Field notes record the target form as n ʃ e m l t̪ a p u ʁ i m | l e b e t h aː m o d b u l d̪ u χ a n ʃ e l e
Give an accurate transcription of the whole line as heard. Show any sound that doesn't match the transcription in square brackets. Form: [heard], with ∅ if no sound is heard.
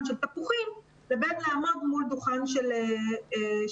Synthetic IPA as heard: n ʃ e [∅] l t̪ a p u [χ] i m | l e b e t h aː m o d [m] u l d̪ u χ a n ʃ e l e